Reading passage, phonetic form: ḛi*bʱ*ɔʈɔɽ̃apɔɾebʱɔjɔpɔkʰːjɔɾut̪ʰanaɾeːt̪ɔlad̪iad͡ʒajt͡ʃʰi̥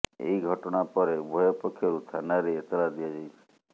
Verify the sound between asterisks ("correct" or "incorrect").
incorrect